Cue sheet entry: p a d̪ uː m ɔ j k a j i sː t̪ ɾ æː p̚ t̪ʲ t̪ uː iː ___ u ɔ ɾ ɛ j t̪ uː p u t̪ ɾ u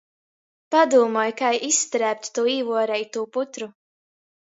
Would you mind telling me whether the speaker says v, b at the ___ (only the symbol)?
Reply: v